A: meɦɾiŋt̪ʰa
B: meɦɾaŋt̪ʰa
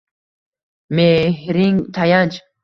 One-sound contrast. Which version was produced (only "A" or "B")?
A